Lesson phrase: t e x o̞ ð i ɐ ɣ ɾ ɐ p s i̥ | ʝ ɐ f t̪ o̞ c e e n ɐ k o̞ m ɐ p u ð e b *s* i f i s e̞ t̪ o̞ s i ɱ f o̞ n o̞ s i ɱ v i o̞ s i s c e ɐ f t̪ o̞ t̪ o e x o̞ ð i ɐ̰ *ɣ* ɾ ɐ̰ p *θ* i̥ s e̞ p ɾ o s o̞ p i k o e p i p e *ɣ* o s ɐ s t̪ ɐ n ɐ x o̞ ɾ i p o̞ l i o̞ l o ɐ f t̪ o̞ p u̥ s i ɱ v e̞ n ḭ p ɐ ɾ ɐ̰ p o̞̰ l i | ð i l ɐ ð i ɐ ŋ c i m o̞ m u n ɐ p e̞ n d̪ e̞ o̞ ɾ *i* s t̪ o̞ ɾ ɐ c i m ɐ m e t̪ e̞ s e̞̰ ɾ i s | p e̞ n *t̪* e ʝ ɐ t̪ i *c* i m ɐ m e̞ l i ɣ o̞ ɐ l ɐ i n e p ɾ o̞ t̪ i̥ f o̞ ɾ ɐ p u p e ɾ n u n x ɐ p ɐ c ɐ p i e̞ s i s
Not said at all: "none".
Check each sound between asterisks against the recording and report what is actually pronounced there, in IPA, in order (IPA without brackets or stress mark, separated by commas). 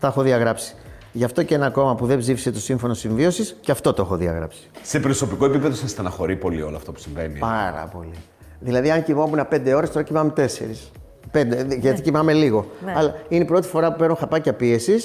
z, ɣ, s, ð, e, d̪, c